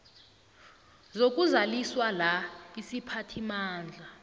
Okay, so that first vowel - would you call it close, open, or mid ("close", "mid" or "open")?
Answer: mid